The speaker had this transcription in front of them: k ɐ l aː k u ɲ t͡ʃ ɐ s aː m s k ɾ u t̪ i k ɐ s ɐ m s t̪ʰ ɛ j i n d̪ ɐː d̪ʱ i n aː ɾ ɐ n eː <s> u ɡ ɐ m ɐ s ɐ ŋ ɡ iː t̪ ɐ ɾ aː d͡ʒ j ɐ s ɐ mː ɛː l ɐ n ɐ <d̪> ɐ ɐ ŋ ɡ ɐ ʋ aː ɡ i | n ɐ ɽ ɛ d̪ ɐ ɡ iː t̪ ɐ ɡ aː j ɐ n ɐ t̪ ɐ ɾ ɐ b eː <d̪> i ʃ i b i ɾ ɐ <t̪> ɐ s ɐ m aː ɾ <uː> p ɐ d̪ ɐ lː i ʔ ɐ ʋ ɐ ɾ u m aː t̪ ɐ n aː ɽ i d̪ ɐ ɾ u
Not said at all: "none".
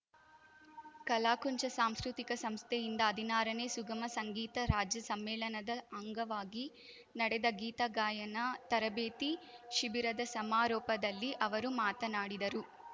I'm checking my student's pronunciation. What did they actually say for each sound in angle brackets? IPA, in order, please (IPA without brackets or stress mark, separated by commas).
s, d̪, t̪, d̪, ɔː